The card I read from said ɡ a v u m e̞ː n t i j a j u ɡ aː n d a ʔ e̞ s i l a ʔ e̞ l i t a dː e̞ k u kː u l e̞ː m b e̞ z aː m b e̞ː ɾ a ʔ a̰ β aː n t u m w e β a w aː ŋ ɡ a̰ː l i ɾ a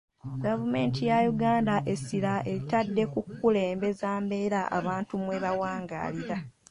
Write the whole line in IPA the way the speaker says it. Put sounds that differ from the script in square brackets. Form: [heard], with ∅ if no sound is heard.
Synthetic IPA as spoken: ɡ a v u m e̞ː n t i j a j u ɡ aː n d a ʔ e̞ s i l a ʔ e̞ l i t a dː e̞ k u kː u l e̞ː m b e̞ z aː m b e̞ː ɾ a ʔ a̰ β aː n t u m w e β a w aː ŋ ɡ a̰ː l i ɾ a

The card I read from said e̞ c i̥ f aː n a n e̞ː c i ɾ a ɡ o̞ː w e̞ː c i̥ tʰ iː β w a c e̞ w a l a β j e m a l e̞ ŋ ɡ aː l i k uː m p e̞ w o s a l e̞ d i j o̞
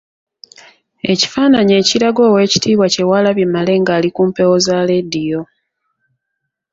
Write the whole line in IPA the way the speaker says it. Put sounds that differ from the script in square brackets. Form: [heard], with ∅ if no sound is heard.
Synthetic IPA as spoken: e̞ c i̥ f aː n a [ɲ] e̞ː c i ɾ a ɡ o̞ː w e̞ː c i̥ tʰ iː β w a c e̞ w a l a β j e m a l e̞ ŋ ɡ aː l i k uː m p e̞ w o [z] a l e̞ d i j o̞

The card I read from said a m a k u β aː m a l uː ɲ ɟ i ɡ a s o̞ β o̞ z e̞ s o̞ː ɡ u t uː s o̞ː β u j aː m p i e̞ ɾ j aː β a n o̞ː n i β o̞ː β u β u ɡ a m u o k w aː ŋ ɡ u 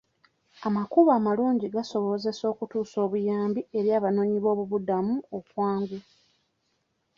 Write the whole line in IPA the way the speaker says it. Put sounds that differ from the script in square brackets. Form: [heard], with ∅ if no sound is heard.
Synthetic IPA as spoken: a m a k u β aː m a l uː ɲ ɟ i ɡ a s o̞ β o̞ z e̞ s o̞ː [k] u t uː s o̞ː β u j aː m [b] i e̞ ɾ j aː β a n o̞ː [ɲ] i β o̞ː β u β u [d] a m u o k w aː ŋ ɡ u

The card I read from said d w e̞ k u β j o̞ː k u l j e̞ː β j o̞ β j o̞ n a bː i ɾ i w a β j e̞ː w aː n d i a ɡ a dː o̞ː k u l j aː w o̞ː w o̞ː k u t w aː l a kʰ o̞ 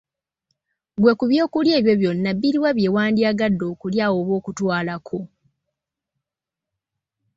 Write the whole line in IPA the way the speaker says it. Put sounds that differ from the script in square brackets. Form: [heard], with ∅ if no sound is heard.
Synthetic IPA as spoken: [ɡ] w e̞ k u β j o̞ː k u l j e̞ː β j o̞ β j o̞ [nː] a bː i ɾ i w a β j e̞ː w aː n d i a ɡ a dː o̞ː k u l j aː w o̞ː [β] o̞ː k u t w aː l a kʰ o̞

